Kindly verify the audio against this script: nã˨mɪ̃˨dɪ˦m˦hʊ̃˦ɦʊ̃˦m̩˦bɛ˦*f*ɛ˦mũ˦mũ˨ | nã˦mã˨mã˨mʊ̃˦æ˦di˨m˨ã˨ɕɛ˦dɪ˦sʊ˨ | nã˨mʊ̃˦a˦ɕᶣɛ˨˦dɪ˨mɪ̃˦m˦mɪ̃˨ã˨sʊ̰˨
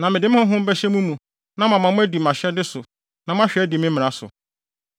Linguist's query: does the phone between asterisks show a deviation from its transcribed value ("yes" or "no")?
yes